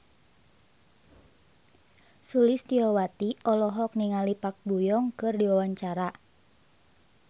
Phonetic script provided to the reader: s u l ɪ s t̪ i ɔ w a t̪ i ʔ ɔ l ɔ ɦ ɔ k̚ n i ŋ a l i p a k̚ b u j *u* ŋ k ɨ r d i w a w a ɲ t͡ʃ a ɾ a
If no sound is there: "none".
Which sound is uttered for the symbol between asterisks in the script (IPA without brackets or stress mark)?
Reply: ɔ